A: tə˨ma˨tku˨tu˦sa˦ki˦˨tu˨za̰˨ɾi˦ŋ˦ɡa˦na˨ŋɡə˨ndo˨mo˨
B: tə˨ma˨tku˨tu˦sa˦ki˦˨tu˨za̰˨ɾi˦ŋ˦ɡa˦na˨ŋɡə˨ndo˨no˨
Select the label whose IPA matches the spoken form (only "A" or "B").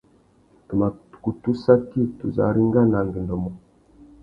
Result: A